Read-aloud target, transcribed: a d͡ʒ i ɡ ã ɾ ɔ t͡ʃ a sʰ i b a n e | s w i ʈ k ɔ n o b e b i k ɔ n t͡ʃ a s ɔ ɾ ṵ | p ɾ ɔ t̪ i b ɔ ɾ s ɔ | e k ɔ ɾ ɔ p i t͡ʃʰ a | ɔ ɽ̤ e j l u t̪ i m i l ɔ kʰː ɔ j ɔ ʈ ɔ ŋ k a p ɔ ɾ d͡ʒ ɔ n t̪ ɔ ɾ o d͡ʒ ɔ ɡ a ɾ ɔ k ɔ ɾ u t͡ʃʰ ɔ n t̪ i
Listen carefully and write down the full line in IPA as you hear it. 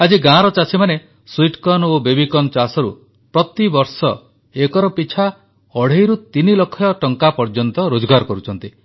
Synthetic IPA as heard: a d͡ʒ i ɡ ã ɾ ɔ t͡ʃ a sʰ i m a n e | s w i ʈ k ɔ n o b e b i k ɔ n t͡ʃ a s ɔ ɾ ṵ | p ɾ ɔ t̪ i b ɔ ɾ s ɔ | e k ɔ ɾ ɔ p i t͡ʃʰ a | ɔ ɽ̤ e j ɾ u t̪ i n i l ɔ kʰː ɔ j ɔ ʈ ɔ ŋ k a p ɔ ɾ d͡ʒ ɔ n t̪ ɔ ɾ o d͡ʒ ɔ ɡ a ɾ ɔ k ɔ ɾ u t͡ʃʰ ɔ n t̪ i